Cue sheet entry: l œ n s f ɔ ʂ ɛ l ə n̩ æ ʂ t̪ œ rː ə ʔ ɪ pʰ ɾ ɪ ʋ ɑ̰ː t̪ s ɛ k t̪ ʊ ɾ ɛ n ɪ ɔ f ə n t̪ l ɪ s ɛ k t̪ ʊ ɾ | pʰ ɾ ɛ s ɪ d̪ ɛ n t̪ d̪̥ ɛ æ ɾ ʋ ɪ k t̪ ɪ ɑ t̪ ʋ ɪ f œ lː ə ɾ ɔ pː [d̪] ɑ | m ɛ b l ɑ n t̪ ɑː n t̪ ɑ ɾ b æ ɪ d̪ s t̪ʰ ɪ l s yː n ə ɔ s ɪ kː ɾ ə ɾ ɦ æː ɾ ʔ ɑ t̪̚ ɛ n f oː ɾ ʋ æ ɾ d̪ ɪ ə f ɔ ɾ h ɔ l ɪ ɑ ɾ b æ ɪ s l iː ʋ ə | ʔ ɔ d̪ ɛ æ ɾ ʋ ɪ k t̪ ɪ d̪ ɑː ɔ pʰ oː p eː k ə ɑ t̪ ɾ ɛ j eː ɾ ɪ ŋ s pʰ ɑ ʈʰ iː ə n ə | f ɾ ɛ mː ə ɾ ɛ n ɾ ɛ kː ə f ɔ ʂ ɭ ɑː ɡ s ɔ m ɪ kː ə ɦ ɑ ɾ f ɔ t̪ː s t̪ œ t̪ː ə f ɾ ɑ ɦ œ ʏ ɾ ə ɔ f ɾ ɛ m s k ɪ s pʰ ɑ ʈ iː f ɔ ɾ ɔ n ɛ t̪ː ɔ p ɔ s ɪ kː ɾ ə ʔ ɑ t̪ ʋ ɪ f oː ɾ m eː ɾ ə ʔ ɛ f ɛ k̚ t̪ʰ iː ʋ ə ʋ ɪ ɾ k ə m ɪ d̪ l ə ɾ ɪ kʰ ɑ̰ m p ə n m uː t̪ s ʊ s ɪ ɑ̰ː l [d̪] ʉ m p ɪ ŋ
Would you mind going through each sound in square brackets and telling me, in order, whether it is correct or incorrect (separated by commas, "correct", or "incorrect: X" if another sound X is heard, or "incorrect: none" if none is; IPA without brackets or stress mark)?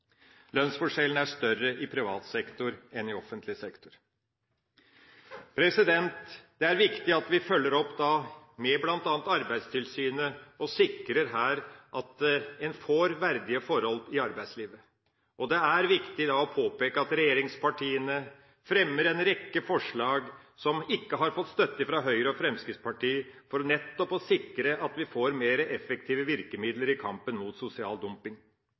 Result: correct, correct